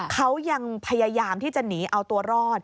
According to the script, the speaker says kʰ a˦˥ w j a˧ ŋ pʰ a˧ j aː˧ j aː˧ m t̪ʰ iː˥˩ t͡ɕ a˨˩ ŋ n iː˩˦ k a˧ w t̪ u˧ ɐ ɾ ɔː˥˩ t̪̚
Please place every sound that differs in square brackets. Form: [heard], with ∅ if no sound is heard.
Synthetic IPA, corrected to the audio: kʰ a˦˥ w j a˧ ŋ pʰ a˧ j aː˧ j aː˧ m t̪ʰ iː˥˩ t͡ɕ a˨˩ [∅] n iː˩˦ [ʔ] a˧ w t̪ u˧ ɐ ɾ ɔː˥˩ t̪̚